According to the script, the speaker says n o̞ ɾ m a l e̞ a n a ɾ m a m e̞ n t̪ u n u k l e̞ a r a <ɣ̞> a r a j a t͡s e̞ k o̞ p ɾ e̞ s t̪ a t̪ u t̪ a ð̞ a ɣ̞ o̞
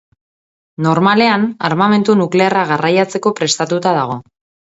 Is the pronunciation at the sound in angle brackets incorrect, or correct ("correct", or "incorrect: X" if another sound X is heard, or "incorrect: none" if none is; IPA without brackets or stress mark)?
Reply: correct